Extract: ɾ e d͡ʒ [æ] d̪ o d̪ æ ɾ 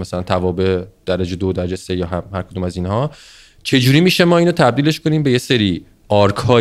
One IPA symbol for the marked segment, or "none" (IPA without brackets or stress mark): e